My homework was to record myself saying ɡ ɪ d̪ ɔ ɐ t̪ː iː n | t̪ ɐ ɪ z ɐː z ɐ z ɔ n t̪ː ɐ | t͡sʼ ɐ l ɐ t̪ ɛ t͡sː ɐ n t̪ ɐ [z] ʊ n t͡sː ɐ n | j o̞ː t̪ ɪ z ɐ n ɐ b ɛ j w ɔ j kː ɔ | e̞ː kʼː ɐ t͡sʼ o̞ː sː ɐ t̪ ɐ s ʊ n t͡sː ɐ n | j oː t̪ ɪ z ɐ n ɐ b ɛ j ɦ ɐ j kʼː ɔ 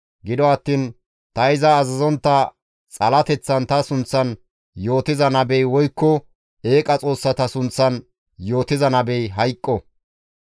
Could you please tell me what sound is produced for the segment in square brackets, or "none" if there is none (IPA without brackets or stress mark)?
s